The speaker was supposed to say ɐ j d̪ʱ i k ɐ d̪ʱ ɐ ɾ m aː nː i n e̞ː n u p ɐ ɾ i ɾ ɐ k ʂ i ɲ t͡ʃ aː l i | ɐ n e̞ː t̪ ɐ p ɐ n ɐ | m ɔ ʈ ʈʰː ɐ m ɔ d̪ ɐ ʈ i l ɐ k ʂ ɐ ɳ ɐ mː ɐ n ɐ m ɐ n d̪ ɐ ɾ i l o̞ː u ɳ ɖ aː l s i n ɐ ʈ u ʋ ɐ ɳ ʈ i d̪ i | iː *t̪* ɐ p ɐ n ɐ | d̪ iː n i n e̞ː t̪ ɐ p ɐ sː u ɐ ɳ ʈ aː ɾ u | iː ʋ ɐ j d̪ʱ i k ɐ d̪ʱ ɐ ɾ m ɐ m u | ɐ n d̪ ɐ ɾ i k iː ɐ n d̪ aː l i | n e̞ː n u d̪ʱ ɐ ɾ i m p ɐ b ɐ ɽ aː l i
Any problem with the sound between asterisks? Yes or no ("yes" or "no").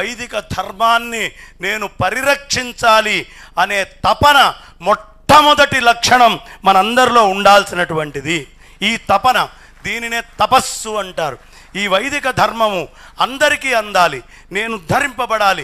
no